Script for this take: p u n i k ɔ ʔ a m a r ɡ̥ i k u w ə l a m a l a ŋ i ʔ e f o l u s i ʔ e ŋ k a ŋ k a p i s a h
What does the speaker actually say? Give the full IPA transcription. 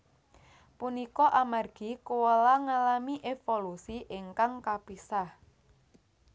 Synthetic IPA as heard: p u n i k ɔ ʔ a m a r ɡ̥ i k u w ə l a ŋ a l a m i ʔ e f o l u s i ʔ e ŋ k a ŋ k a p i s a h